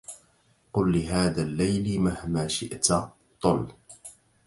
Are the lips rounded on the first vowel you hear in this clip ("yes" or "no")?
yes